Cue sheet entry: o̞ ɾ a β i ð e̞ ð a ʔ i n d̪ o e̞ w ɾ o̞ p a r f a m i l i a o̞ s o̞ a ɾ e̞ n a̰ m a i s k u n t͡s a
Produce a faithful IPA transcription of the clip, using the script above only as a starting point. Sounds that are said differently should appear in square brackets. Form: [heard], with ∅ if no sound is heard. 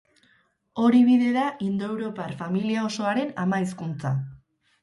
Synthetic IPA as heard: o̞ ɾ [i] β i ð e̞ ð a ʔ i n d̪ o e̞ w ɾ o̞ p a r f a m i l i a o̞ s o̞ a ɾ e̞ n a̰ m a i s k u n t͡s a